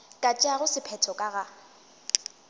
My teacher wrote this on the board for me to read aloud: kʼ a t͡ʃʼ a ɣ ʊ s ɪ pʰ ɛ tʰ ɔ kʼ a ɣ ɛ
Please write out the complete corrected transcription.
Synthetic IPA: kʼ a t͡ʃʼ a ɣ ʊ s ɪ pʰ ɛ tʰ ɔ kʼ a ɣ a